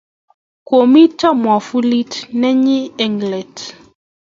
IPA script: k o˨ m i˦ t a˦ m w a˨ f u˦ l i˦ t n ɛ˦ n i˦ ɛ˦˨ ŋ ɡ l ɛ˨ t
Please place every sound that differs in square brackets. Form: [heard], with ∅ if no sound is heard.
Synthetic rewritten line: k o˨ m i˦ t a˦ m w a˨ f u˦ l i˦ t n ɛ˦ [ɲ] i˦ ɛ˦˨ ŋ ɡ l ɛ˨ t